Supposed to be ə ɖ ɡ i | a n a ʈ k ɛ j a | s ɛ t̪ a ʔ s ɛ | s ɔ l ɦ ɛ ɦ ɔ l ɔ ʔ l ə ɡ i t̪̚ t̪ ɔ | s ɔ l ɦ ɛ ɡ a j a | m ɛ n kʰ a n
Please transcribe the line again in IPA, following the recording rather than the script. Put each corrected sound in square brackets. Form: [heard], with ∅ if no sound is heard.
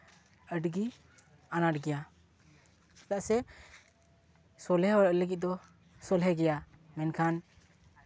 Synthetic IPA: ə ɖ ɡ i | a n a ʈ [ɡ] ɛ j a | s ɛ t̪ a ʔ s ɛ | s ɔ l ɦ ɛ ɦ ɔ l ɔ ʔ l ə ɡ i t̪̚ [d̪] ɔ | s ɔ l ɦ ɛ ɡ [ɛ] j a | m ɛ n kʰ a n